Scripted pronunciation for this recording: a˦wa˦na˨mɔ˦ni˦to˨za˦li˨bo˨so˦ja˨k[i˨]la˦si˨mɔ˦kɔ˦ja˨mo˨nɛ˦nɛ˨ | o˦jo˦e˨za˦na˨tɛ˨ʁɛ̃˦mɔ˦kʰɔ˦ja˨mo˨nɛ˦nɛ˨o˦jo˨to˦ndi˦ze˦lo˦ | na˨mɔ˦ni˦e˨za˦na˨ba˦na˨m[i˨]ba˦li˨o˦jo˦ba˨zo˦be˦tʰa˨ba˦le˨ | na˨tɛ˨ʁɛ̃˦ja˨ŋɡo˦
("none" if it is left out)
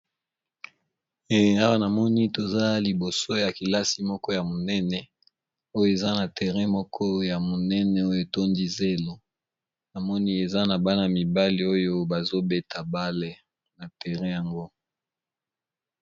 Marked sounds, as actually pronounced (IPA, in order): i˨, i˨

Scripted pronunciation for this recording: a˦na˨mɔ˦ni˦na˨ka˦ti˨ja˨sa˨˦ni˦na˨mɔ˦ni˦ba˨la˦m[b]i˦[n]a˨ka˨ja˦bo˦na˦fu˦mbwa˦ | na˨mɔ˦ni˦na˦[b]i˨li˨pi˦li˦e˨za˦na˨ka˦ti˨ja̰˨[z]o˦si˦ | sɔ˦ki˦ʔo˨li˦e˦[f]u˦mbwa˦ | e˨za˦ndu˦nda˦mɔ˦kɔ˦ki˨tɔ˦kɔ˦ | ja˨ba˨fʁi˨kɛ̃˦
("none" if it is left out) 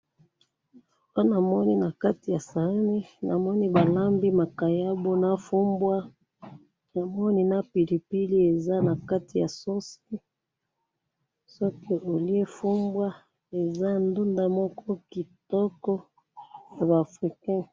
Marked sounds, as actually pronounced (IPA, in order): b, m, p, s, f

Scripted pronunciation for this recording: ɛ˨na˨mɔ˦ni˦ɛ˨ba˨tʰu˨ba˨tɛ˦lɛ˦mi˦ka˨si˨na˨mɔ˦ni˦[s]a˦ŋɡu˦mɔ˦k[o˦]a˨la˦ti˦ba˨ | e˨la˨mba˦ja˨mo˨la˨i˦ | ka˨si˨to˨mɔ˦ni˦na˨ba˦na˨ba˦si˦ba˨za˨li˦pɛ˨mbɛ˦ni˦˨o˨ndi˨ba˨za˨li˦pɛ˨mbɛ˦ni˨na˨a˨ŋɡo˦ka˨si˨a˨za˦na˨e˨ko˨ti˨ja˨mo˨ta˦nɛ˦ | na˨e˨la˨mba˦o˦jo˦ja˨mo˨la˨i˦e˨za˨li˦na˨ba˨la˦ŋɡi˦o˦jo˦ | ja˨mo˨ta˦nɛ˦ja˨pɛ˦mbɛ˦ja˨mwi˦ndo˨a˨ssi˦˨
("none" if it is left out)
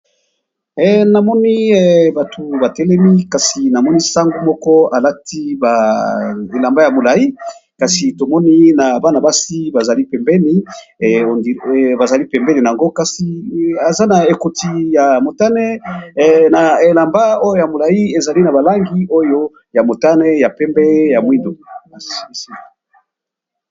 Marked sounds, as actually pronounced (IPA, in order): s, ɔ˦

